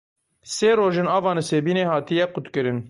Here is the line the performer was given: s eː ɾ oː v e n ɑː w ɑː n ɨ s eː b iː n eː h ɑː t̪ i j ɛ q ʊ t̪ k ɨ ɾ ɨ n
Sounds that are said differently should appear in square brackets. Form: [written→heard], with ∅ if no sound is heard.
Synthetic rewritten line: s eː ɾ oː [v→ʒ] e n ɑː [w→v] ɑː n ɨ s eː b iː n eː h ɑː t̪ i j ɛ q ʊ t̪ k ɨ ɾ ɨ n